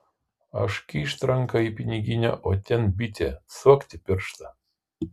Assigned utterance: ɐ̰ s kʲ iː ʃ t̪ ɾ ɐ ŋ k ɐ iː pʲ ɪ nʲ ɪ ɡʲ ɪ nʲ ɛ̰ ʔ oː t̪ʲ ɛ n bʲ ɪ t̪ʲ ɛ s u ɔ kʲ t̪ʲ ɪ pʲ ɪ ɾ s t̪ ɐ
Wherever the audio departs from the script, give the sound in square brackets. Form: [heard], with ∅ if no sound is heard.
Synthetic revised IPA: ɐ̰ [ʃ] kʲ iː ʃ t̪ ɾ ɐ ŋ k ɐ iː pʲ ɪ nʲ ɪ ɡʲ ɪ nʲ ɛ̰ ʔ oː t̪ʲ ɛ n bʲ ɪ t̪ʲ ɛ s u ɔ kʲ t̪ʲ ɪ pʲ ɪ ɾ [ʃ] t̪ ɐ